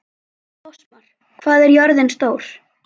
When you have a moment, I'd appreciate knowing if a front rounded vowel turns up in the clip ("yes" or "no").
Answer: yes